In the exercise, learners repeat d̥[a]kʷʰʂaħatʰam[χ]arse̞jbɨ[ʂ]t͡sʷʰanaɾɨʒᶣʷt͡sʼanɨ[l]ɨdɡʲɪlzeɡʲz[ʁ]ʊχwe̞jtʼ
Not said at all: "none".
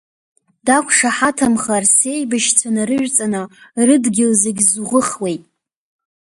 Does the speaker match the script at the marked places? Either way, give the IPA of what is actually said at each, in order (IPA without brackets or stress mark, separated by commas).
a, χ, ʃ, r, ʁ